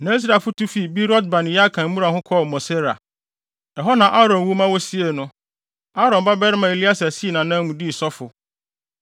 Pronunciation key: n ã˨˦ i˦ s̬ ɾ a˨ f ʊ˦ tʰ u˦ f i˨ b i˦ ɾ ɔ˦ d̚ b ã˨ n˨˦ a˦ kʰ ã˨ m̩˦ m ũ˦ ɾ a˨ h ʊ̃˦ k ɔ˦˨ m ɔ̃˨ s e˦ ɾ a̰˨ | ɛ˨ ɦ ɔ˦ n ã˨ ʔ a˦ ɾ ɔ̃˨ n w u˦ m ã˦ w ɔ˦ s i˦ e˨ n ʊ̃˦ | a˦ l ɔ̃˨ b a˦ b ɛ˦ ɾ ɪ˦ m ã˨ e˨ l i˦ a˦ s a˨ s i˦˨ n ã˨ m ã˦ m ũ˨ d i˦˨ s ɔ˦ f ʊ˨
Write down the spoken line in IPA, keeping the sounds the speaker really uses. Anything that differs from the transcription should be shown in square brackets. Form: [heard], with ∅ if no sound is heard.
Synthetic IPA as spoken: n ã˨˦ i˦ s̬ ɾ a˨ f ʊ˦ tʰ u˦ f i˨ b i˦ ɾ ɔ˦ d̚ b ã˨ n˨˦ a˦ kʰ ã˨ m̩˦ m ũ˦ ɾ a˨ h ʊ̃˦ [kʰ] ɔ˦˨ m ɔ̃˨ s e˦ ɾ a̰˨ | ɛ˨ ɦ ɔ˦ n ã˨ ʔ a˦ ɾ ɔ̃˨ n w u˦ m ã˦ w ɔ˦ s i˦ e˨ n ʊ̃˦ | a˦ [ɾ] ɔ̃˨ b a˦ b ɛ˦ ɾ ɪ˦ m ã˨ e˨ l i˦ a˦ s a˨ s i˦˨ n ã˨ [n] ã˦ m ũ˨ d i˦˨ s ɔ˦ f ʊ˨